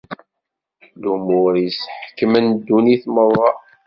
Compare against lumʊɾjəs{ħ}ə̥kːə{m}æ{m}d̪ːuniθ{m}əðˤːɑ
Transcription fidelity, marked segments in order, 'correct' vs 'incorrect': correct, correct, incorrect, correct

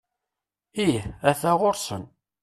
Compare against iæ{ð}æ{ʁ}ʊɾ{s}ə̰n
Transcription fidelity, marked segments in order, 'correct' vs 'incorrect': incorrect, correct, correct

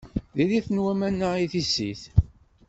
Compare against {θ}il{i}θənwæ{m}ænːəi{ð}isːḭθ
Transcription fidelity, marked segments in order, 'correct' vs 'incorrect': incorrect, correct, correct, incorrect

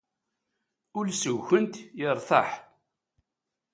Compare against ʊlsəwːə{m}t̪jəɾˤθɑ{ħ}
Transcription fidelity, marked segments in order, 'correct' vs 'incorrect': incorrect, correct

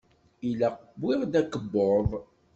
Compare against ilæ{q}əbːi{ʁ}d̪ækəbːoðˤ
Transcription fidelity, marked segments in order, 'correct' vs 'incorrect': correct, correct

